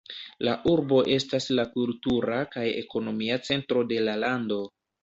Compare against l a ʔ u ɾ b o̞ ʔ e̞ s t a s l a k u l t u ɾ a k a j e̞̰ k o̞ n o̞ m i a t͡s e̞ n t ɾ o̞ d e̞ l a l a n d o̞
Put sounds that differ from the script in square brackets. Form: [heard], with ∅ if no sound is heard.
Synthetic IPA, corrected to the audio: l a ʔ u ɾ b o̞ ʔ e̞ s t a s l a k u l t u ɾ a k a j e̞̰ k o̞ n o̞ m i a t͡s e̞ n t ɾ o̞ d e̞ l a l a n d o̞